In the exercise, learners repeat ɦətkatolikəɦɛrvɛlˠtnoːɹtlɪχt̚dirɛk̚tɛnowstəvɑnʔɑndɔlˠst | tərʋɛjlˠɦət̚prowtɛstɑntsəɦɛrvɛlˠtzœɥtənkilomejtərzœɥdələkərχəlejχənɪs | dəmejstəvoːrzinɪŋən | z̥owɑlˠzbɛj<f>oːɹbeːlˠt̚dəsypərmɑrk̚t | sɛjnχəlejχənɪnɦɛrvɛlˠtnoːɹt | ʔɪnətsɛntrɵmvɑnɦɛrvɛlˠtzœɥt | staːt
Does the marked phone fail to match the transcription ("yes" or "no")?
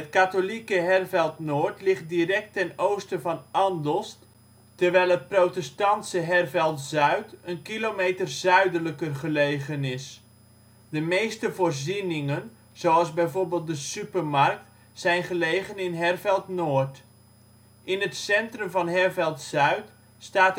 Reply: yes